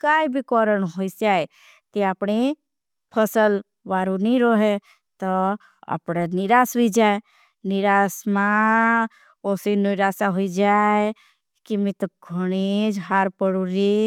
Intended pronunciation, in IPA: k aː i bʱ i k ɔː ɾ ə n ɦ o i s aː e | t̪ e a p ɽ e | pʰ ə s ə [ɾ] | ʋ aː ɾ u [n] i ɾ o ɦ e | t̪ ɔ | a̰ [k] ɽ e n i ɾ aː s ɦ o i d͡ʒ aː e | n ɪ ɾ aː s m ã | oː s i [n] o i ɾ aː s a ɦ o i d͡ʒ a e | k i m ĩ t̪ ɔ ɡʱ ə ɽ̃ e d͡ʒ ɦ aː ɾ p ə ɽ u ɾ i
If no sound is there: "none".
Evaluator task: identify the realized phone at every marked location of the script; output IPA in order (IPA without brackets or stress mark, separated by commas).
l, n, p, n